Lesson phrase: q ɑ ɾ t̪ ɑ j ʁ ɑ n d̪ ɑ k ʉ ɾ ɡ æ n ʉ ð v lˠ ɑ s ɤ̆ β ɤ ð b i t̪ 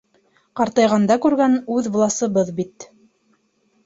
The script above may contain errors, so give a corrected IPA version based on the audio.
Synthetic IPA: q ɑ ɾ t̪ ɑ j ʁ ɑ n d̪ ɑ k ʉ ɾ ɡ æ n ʉ ð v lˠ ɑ s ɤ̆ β ɤ ð b i t̪